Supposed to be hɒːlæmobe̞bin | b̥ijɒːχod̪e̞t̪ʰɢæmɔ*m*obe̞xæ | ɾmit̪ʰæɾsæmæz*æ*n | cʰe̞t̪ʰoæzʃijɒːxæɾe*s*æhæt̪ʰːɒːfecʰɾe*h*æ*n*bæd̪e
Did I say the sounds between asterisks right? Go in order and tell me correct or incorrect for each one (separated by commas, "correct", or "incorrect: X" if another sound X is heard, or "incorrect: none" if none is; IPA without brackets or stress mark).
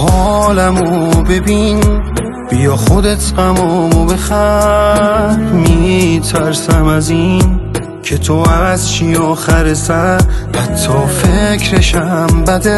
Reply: correct, incorrect: i, correct, incorrect: ʃ, incorrect: m